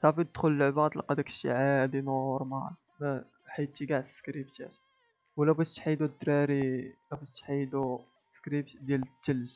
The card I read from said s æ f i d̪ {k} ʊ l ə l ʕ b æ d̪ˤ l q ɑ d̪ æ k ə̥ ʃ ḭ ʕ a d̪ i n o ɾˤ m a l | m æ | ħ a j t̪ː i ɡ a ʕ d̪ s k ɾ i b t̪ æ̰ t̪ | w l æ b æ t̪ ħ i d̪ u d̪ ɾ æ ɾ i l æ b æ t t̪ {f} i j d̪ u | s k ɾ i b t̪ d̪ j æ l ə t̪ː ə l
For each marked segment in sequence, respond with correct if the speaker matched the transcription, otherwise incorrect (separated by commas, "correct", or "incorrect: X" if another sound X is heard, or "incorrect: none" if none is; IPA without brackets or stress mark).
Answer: incorrect: x, incorrect: ħ